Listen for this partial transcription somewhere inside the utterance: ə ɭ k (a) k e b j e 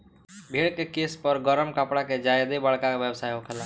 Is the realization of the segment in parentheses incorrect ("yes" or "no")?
no